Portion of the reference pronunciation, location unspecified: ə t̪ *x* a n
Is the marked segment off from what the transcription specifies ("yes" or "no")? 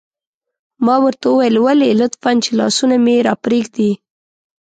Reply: yes